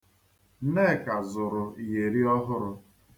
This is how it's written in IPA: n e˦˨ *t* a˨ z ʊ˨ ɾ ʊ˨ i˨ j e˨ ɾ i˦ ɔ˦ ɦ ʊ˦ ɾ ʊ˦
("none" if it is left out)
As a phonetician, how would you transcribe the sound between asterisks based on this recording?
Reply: k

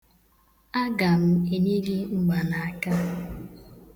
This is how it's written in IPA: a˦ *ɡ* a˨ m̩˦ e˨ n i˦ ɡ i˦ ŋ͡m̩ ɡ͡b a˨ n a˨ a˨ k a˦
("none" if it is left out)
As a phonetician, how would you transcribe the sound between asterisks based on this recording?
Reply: ɡ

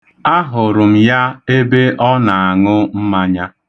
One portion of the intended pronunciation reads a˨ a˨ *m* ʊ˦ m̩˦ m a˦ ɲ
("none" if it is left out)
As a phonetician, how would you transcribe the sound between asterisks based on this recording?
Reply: ŋ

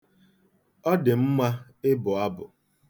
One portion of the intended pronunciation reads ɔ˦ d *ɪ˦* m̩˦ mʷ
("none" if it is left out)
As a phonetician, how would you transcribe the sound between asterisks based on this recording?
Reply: ɪ˨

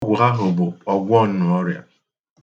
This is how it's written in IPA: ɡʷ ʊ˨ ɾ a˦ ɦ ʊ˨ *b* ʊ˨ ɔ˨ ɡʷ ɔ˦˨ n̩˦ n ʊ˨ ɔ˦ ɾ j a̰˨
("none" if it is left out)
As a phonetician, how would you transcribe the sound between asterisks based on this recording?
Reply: b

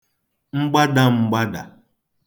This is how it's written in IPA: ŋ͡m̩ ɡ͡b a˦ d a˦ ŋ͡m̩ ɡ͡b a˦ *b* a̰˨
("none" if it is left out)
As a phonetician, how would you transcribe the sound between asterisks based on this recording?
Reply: d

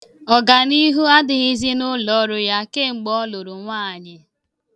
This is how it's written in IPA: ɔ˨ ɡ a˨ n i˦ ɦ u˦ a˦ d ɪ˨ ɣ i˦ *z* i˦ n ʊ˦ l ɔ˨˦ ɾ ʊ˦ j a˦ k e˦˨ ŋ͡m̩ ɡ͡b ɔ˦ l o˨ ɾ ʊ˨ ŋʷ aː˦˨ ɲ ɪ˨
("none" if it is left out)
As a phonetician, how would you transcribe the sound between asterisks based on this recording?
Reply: z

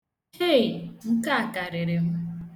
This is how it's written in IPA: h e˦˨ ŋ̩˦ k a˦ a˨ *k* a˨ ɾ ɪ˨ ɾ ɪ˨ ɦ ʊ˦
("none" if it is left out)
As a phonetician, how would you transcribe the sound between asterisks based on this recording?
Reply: k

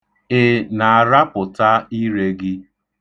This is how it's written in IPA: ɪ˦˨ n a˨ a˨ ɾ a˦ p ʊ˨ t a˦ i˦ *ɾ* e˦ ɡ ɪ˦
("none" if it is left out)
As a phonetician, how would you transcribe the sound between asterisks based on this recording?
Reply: ɾ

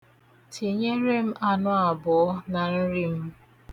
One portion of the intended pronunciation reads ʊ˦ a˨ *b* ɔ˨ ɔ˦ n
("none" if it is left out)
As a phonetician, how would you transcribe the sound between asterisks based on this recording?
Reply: b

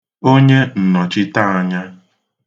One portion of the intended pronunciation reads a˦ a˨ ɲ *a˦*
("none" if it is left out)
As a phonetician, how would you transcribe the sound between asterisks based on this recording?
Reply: a˦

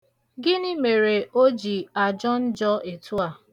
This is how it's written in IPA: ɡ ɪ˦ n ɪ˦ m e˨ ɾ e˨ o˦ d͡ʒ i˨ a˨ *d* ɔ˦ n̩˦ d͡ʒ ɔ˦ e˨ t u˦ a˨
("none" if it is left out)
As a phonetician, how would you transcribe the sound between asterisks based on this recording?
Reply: d͡ʒ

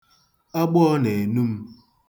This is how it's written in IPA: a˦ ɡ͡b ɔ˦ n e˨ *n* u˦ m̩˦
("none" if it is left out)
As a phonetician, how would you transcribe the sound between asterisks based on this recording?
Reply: n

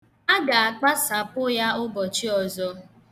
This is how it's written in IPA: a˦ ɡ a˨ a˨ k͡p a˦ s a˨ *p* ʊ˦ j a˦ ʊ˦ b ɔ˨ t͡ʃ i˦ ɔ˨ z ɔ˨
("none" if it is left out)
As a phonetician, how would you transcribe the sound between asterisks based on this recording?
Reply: p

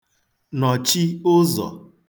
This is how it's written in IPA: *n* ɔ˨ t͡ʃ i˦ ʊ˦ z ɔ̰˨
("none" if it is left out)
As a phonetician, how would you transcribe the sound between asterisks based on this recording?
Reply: n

